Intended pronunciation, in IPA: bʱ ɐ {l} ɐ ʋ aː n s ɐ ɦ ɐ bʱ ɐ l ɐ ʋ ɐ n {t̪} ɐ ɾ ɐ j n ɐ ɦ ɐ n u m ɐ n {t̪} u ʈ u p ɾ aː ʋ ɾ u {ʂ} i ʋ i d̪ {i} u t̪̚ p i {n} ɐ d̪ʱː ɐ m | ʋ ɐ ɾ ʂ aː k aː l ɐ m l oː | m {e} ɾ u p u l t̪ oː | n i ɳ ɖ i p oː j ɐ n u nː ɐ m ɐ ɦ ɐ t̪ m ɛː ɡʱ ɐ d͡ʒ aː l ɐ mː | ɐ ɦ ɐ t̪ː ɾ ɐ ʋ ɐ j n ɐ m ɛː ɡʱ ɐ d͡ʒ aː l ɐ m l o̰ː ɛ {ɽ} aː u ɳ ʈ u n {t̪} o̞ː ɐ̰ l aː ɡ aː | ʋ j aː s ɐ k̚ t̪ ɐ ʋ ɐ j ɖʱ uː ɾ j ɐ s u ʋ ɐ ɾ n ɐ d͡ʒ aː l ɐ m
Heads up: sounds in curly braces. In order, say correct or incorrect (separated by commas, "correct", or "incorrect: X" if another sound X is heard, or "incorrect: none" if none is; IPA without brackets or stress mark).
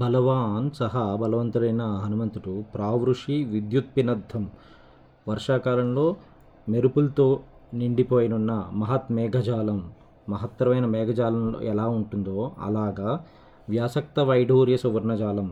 correct, correct, correct, correct, incorrect: j, correct, correct, incorrect: l, incorrect: d̪